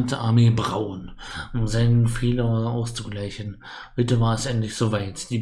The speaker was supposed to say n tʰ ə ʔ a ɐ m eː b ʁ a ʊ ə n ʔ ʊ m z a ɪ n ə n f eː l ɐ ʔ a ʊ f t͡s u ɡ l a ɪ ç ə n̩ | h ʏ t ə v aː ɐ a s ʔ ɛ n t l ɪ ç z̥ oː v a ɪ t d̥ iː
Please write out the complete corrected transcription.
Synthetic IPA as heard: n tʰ ə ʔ a ɐ m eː b ʁ a ʊ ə n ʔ ʊ m z a ɪ n ə n f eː l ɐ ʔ a ʊ s t͡s u ɡ l a ɪ ç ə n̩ | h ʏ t ə v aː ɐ ɛ s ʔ ɛ n t l ɪ ç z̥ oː v a ɪ t d̥ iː